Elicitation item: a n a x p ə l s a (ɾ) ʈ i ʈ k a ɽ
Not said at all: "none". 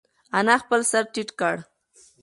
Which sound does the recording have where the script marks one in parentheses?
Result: ɾ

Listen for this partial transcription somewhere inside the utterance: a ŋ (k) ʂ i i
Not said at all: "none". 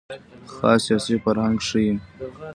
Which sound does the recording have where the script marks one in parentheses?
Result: ɡ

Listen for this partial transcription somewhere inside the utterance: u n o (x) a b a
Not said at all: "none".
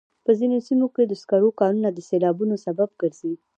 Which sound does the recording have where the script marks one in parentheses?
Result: s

